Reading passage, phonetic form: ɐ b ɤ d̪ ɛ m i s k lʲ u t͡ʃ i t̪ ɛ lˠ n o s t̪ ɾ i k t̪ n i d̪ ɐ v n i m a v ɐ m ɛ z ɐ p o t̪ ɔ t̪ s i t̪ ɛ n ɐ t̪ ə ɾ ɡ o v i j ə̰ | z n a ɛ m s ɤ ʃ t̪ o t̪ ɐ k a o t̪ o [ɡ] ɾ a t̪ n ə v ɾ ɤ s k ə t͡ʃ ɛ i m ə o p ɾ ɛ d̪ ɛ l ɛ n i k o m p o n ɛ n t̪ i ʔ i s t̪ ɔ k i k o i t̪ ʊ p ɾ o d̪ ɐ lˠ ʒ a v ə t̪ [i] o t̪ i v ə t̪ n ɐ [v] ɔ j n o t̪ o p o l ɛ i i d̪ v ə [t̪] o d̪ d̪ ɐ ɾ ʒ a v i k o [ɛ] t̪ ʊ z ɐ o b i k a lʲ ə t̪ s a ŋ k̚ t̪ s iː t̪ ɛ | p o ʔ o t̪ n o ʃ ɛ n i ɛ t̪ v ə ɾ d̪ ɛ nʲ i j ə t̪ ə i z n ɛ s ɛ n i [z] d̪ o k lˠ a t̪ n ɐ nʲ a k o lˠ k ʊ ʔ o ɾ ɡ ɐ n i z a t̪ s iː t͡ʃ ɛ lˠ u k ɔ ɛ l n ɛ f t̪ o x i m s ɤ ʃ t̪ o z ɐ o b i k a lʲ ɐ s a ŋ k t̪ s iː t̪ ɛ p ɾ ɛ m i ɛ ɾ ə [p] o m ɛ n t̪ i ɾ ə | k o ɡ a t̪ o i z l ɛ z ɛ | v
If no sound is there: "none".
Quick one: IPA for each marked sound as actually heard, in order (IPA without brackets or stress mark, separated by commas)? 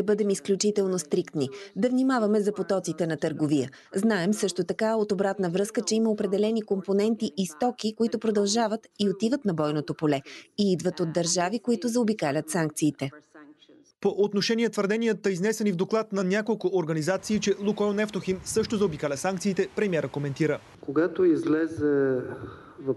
b, i, b, t̪, i, v, k